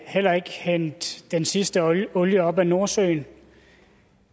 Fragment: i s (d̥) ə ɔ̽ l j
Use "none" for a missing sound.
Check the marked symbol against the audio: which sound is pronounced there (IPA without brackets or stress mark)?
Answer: d̥